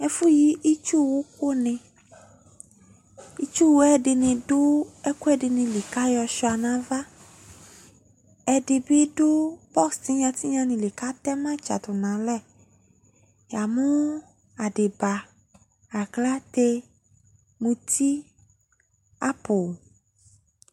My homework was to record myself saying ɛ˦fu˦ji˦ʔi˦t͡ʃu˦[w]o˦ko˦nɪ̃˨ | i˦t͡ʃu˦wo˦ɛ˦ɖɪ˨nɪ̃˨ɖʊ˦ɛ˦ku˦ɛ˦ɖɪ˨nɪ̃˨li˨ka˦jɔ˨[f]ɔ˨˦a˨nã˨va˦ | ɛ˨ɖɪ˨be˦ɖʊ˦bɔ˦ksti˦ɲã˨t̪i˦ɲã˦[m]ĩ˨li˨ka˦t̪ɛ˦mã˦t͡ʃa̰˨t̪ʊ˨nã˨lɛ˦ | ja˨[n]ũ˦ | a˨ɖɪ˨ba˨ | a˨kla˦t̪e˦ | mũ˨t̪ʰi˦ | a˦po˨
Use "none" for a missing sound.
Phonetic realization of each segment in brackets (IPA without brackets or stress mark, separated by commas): w, ʃ, n, m